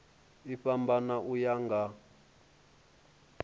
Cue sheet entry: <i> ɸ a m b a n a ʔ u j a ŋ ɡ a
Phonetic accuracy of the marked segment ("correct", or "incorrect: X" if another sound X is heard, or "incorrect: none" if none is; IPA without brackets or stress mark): correct